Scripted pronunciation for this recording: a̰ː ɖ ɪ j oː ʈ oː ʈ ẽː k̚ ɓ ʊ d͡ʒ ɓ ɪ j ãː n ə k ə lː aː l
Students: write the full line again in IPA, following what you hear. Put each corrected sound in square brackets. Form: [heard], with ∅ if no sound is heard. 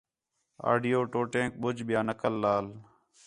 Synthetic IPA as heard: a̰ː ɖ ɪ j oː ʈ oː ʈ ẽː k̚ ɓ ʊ d͡ʒ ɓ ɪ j [aː] n ə k ə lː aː l

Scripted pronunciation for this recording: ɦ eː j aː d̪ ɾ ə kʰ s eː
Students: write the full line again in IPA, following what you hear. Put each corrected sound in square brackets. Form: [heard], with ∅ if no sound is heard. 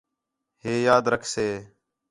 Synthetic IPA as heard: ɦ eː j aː d̪ ɾ ə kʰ s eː

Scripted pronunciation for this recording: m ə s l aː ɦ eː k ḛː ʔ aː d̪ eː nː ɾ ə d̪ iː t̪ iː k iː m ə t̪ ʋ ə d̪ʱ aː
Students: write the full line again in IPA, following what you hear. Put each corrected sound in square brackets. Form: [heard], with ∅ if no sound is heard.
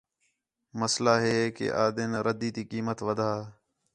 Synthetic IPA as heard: m ə s l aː ɦ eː k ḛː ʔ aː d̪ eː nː ɾ ə d̪ iː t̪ iː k iː m ə t̪ ʋ ə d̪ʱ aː

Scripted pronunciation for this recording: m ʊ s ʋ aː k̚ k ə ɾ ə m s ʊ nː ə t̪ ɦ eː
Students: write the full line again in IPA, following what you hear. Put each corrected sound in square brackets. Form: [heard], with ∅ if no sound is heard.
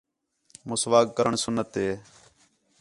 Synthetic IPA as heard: m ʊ s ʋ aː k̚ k ə ɾ ə [ɳ] s ʊ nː ə t̪ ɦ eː

